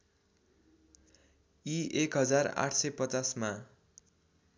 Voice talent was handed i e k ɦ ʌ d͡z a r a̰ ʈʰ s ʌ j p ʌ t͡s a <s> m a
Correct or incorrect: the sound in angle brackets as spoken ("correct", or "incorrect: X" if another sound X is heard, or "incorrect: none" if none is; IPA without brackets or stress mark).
correct